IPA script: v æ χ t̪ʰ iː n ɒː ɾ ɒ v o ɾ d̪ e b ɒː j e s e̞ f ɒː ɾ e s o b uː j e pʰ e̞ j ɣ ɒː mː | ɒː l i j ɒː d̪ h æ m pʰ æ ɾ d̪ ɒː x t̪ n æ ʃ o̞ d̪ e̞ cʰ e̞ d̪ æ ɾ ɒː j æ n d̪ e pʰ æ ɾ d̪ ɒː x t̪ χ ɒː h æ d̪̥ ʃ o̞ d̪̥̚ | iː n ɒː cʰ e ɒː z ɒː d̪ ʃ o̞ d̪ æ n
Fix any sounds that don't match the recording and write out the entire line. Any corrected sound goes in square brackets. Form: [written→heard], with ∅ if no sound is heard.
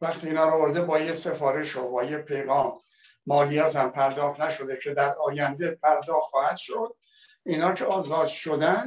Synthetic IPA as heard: v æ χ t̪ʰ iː n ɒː ɾ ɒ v o ɾ d̪ e b ɒː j e s e̞ f ɒː ɾ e [s→ʃ] o b [uː→ɒː] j e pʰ e̞ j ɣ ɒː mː | ɒː l i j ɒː [d̪→t̪] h æ m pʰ æ ɾ d̪ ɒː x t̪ n æ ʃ o̞ d̪ e̞ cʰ e̞ d̪ æ ɾ ɒː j æ n d̪ e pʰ æ ɾ d̪ ɒː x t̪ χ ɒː h æ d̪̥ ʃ o̞ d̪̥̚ | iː n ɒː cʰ e ɒː z ɒː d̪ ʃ o̞ d̪ æ n